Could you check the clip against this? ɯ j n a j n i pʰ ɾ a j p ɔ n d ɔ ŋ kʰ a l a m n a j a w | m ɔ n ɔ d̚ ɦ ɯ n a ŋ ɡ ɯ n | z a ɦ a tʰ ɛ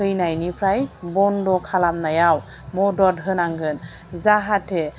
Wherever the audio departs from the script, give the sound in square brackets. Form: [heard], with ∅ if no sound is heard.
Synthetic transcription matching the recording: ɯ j n a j n i pʰ ɾ a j [b] ɔ n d ɔ [∅] kʰ a l a m n a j a w | m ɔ [d] ɔ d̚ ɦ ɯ n a ŋ ɡ ɯ n | z a ɦ a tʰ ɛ